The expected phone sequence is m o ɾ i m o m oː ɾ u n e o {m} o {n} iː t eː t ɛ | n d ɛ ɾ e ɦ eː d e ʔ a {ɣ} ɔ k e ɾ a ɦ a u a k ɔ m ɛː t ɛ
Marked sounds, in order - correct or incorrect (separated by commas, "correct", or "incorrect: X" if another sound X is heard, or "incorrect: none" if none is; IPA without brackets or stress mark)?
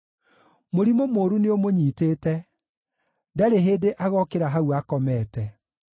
correct, incorrect: ɲ, correct